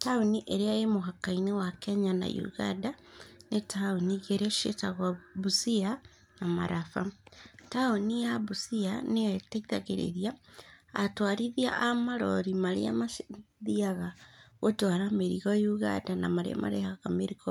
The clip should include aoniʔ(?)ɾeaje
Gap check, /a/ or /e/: e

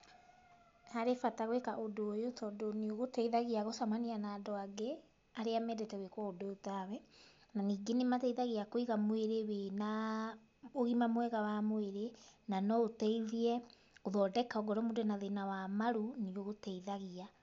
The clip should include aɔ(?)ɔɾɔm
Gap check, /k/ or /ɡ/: ɡ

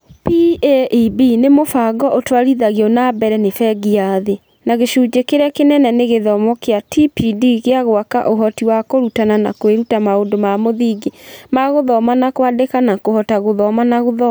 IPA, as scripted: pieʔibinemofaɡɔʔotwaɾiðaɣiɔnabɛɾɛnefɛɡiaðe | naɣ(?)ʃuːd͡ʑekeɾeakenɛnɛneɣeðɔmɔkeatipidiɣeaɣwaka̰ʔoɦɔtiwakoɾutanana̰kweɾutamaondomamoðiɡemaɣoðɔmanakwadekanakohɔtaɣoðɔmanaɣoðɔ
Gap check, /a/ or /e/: e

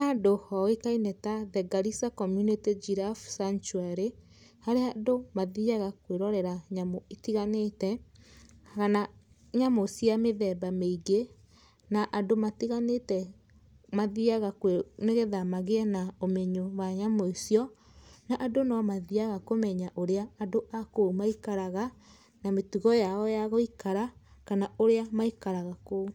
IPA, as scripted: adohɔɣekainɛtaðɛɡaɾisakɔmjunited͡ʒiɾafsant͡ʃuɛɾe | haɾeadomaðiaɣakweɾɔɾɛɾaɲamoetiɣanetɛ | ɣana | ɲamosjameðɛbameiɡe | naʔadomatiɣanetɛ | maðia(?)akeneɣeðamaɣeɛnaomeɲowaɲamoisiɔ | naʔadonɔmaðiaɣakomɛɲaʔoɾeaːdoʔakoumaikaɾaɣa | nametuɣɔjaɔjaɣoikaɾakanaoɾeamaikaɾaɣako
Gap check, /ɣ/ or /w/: ɣ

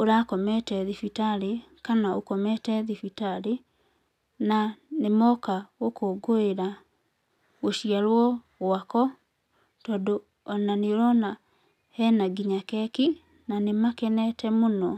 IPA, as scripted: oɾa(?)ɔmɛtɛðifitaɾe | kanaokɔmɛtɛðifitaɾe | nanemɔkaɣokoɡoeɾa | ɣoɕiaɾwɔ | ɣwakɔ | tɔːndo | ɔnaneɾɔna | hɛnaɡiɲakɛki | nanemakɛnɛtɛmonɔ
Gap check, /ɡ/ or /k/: k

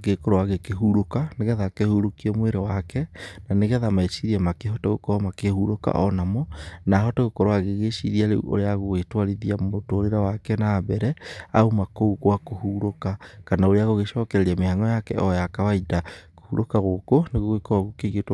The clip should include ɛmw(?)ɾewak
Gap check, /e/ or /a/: e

